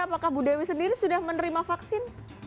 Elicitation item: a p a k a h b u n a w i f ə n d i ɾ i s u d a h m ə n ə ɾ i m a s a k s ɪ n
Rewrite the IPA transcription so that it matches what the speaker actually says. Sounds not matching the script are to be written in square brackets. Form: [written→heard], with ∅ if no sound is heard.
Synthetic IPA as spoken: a p a k a h b u [n→d] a w i [f→s] ə n d i ɾ i s u d a h m ə n ə ɾ i m a [s→f] a k s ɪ n